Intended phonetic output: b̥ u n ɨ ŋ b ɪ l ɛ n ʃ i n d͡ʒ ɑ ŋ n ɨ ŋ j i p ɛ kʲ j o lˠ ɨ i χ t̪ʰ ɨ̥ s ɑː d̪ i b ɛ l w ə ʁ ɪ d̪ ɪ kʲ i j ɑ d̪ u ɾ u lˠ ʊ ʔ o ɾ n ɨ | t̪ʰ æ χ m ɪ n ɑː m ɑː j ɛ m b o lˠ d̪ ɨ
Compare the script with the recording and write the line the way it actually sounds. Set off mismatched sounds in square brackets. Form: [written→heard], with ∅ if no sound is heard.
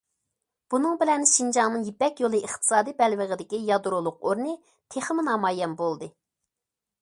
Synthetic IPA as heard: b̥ u n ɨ ŋ b ɪ l ɛ n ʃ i n d͡ʒ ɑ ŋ n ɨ ŋ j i p ɛ kʲ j o lˠ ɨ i χ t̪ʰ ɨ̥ s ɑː d̪ i b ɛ l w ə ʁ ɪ d̪ ɪ kʲ i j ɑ d̪ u ɾ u lˠ ʊ [ʔ→q] o ɾ n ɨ | t̪ʰ [æ→e] χ m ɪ n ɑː m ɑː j ɛ m b o lˠ d̪ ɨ